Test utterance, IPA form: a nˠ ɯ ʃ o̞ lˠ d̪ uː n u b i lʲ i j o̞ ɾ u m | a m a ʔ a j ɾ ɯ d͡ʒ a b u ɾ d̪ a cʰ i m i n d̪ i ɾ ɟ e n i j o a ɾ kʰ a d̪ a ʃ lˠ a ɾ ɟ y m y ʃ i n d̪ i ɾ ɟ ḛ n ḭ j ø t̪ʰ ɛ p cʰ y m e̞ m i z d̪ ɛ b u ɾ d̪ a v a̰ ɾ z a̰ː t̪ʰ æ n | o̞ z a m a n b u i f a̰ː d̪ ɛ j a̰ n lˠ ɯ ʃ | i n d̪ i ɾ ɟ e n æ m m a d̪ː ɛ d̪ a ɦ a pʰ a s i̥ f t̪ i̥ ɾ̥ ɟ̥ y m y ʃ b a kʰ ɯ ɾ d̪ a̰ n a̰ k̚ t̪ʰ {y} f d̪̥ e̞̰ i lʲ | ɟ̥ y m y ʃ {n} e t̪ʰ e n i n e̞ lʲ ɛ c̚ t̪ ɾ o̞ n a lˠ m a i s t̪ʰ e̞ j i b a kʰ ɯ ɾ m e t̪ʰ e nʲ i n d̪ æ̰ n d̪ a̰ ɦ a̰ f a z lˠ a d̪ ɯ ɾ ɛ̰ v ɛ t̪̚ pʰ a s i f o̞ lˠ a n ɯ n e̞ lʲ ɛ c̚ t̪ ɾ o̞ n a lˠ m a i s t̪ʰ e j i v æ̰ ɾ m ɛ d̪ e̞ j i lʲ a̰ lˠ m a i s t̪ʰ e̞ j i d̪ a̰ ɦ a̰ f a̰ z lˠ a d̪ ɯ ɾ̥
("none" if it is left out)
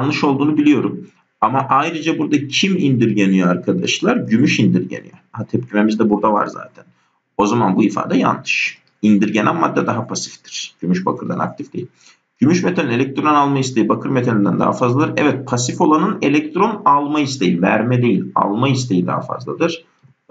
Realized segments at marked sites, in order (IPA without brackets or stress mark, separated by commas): i, m